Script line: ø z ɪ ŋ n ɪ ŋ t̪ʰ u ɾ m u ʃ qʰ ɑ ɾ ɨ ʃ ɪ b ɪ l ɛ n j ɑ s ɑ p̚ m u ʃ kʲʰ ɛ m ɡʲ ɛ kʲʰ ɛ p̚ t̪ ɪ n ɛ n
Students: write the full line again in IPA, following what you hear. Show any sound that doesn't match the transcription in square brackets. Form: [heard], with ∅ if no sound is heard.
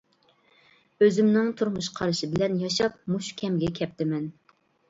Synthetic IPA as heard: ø z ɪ [m] n ɪ ŋ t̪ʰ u ɾ m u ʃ qʰ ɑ ɾ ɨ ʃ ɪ b ɪ l ɛ n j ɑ [ʃ] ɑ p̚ m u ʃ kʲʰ ɛ m ɡʲ ɛ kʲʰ ɛ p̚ t̪ ɪ [m] ɛ n